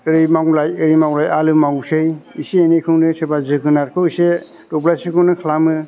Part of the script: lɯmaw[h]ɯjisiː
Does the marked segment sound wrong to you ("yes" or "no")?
yes